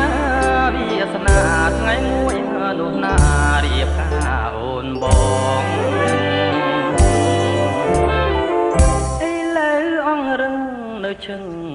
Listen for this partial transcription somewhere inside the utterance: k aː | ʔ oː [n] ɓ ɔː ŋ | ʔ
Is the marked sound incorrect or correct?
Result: correct